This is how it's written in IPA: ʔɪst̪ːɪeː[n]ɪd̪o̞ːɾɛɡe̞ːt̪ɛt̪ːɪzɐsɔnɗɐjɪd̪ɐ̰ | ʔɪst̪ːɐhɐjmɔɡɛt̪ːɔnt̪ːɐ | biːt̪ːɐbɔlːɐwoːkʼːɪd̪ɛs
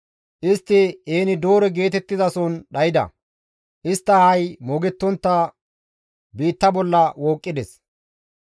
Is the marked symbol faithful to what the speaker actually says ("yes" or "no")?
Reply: yes